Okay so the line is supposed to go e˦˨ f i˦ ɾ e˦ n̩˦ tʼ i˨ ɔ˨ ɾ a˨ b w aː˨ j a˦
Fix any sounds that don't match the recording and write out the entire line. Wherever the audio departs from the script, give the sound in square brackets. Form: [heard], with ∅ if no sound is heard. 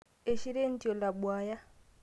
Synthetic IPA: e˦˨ [ʃ] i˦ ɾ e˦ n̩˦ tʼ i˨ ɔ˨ [l] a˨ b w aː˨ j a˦